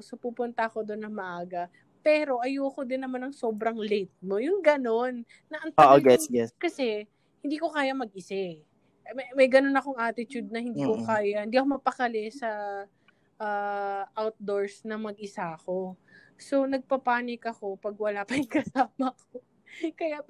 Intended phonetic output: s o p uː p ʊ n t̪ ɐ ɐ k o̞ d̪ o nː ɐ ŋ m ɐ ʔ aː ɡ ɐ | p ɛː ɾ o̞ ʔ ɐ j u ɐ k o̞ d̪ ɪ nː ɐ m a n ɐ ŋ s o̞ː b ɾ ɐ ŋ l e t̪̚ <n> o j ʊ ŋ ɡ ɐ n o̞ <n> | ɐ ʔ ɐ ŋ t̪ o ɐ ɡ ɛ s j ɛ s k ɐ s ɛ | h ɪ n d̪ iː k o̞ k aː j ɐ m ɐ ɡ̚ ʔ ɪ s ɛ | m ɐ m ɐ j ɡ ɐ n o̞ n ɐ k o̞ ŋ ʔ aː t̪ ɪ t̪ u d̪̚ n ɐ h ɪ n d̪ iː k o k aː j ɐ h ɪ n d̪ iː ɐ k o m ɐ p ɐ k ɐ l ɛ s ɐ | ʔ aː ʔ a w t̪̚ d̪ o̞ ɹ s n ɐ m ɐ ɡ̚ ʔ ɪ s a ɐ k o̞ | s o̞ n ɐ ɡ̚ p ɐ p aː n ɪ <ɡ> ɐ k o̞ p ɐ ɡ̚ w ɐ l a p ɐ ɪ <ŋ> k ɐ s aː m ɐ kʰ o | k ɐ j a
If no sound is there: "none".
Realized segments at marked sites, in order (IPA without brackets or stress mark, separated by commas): m, nː, k, ŋ